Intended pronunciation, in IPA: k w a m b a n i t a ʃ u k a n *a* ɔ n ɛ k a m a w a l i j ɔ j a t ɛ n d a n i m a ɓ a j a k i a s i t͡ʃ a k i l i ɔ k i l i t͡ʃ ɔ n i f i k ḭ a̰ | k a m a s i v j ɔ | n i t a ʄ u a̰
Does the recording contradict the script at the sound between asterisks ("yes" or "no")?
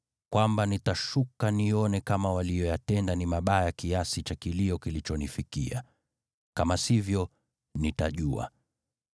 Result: yes